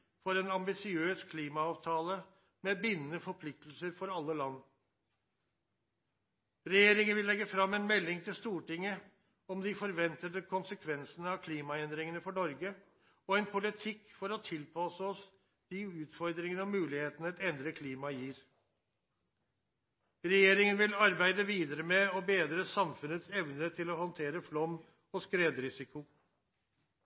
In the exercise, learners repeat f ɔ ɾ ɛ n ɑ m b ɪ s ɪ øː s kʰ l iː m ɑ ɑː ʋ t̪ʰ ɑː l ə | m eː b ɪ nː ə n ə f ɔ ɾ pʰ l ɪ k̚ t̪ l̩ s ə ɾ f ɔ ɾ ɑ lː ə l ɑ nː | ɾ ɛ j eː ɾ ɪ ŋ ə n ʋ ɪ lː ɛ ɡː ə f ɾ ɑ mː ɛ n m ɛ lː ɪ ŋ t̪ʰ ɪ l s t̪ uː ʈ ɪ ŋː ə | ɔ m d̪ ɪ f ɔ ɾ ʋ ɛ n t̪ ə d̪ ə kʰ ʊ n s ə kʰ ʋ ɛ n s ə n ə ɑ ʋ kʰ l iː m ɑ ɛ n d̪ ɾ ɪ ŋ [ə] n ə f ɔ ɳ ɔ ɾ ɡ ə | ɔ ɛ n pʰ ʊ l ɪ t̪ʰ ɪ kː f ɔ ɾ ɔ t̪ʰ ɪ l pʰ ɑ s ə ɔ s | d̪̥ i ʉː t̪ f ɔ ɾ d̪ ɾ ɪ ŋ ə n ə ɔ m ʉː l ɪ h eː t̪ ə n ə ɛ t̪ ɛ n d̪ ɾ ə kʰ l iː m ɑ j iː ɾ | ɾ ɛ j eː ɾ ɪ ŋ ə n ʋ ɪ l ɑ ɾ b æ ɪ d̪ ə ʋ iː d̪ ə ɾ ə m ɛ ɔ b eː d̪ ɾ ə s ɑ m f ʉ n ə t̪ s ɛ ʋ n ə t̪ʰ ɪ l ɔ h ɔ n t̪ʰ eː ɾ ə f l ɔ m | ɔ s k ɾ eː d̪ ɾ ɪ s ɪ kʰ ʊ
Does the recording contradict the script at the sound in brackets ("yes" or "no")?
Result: no